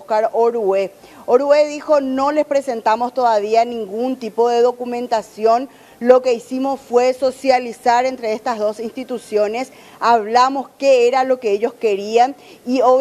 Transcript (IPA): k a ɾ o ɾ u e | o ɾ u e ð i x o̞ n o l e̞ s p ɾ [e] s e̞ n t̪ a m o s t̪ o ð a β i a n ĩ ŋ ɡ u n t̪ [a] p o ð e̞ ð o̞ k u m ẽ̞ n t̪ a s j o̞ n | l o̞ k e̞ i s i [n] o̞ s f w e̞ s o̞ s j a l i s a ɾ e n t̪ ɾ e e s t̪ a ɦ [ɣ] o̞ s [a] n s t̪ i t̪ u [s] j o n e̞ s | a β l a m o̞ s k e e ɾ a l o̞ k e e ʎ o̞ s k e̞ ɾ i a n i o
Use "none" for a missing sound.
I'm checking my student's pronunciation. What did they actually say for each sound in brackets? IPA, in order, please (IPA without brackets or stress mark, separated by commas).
e, i, m, ð, i, s